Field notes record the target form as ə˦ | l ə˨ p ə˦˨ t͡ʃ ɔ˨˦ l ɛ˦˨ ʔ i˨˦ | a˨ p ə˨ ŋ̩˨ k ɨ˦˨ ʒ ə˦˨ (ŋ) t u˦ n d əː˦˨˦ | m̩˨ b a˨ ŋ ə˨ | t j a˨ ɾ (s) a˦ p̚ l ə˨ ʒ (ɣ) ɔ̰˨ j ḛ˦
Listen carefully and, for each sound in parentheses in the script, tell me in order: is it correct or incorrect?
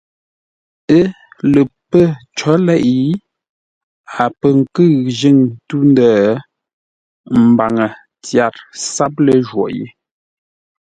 correct, correct, incorrect

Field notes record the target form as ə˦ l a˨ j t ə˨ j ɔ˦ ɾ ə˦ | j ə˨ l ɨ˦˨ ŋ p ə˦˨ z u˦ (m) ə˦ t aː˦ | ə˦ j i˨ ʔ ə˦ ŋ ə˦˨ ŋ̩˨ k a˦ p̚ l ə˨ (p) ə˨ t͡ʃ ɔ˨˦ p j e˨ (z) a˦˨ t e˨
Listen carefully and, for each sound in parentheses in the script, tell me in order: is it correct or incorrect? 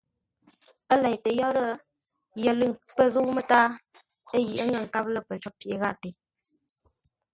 correct, correct, incorrect

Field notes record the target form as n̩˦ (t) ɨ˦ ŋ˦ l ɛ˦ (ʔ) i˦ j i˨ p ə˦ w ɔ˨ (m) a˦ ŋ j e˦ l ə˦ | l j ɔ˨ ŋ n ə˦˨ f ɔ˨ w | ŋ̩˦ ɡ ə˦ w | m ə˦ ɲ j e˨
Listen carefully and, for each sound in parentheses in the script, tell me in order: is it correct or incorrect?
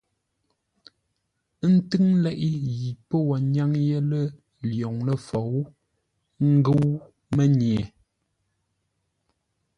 correct, correct, incorrect

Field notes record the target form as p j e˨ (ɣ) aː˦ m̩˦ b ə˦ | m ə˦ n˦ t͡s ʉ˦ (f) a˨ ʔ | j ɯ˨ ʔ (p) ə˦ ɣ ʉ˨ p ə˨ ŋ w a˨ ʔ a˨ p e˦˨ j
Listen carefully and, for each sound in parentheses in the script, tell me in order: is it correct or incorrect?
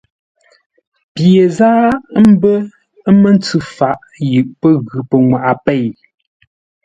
incorrect, correct, correct

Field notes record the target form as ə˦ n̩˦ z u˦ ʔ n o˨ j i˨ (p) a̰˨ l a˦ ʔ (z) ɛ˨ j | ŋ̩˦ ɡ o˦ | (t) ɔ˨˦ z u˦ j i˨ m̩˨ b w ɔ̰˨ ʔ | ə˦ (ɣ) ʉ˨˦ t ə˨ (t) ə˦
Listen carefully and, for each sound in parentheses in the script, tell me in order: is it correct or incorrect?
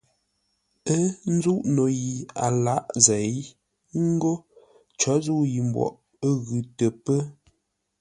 incorrect, correct, incorrect, correct, incorrect

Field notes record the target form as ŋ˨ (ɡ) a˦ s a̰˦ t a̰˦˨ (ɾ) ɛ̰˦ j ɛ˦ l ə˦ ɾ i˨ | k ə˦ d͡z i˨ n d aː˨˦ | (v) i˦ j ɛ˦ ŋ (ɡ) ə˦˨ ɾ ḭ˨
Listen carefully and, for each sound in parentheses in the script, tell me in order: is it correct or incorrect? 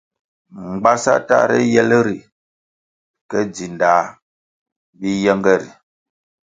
incorrect, correct, incorrect, correct

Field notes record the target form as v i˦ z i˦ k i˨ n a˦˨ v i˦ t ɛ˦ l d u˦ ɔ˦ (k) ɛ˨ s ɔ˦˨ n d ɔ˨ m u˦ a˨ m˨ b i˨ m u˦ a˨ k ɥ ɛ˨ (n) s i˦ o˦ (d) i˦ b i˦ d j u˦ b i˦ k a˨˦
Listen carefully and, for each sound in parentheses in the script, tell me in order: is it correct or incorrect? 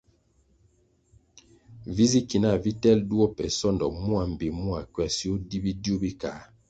incorrect, incorrect, correct

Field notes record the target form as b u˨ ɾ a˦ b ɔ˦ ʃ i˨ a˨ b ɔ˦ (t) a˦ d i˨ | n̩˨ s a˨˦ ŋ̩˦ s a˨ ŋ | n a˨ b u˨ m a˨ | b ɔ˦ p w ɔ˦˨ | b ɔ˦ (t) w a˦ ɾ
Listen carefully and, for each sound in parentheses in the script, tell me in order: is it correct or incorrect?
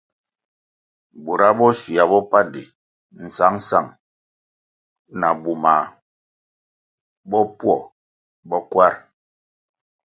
incorrect, incorrect

